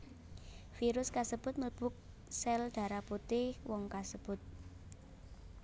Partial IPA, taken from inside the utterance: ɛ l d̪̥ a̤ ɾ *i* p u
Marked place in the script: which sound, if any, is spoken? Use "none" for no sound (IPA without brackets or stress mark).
a